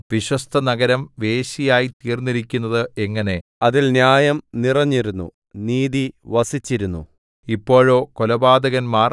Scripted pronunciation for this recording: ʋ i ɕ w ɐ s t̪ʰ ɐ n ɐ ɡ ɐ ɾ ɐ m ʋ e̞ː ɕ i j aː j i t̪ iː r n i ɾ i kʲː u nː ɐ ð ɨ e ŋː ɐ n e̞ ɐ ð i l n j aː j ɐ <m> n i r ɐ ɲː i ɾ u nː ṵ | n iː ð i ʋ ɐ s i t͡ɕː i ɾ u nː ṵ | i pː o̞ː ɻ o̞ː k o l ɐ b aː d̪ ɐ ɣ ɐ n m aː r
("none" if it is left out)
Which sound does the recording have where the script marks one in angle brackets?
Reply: m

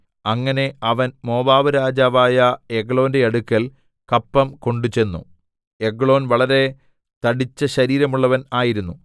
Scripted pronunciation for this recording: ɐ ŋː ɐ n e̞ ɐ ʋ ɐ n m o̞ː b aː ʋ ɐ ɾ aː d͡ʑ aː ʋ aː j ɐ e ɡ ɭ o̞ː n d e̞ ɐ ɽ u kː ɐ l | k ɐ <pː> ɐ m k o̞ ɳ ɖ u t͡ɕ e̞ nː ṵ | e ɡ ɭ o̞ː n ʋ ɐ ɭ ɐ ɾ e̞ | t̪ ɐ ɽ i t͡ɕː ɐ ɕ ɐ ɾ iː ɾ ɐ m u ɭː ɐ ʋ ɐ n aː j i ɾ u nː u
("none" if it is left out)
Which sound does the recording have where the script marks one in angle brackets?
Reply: pː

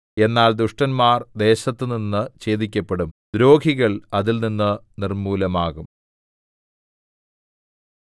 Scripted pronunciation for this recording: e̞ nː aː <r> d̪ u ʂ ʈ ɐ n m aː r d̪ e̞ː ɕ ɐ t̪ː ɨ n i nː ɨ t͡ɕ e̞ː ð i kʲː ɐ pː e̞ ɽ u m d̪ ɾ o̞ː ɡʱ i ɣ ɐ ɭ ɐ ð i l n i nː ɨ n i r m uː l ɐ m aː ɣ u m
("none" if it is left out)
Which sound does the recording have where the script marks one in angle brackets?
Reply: l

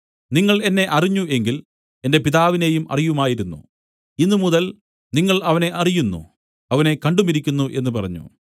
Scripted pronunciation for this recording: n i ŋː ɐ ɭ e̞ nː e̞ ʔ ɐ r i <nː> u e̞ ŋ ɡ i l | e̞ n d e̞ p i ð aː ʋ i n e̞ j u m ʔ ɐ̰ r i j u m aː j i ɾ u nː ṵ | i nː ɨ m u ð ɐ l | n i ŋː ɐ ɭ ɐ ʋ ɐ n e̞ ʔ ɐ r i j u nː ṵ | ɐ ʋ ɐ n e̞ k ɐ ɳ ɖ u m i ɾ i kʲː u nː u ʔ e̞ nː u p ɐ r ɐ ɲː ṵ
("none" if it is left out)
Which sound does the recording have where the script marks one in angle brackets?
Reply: ɲː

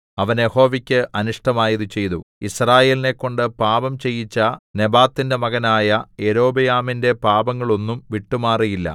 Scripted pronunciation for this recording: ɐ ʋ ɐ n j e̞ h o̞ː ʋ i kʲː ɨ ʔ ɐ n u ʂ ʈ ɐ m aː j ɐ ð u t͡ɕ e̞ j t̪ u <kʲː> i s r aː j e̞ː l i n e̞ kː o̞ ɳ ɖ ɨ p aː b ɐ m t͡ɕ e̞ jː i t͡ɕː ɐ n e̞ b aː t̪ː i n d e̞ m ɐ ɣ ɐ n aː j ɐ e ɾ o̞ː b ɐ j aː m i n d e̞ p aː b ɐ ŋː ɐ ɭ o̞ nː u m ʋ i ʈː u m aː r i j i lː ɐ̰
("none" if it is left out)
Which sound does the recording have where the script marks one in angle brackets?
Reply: none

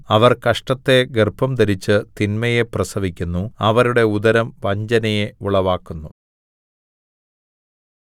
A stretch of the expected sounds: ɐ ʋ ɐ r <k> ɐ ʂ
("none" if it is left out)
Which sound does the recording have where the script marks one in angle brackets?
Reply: k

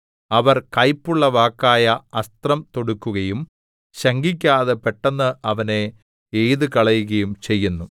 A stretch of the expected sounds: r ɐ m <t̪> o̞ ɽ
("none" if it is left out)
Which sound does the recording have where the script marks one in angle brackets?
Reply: t̪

